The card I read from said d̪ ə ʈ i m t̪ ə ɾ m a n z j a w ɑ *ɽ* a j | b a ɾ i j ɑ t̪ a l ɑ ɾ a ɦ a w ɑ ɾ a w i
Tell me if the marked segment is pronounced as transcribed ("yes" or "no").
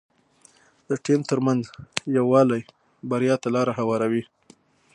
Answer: no